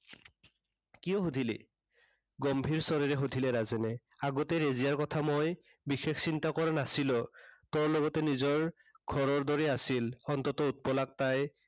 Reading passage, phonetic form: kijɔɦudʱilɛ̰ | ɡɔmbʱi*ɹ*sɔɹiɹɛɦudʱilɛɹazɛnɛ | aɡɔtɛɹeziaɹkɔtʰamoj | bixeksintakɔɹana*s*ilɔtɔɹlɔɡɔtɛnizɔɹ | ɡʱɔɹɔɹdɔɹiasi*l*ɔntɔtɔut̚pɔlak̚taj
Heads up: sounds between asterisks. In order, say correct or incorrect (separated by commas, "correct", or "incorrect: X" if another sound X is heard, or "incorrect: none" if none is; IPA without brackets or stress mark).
correct, correct, correct